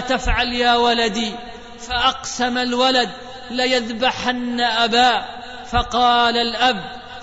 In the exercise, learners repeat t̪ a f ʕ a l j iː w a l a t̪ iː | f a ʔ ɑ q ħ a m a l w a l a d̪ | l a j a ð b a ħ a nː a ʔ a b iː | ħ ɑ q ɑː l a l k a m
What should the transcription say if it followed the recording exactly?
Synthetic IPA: t̪ a f ʕ a l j aː w a l a d̪ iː | f a ʔ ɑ q s a m a l w a l a d̪ | l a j a ð b a ħ a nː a ʔ a b aː | f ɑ q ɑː l a l ʔ a b